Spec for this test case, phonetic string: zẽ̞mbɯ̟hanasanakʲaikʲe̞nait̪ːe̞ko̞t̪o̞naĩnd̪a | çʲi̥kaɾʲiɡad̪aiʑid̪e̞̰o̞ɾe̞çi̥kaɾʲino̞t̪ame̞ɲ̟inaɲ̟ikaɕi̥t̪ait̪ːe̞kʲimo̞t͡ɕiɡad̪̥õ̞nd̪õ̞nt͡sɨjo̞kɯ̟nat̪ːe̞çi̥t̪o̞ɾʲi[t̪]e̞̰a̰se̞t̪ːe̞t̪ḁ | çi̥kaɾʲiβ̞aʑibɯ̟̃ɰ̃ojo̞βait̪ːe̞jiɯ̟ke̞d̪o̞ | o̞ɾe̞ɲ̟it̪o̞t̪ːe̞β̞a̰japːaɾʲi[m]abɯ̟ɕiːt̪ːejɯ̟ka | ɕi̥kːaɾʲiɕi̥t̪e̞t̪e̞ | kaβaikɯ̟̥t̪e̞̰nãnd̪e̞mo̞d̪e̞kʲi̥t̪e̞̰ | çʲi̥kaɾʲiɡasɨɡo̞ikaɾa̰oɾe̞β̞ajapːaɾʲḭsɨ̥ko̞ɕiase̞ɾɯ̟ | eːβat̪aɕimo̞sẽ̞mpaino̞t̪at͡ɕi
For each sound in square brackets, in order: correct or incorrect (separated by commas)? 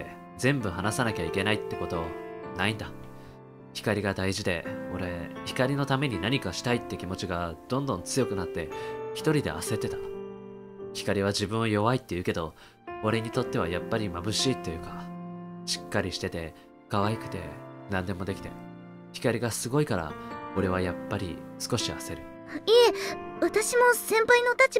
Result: incorrect, correct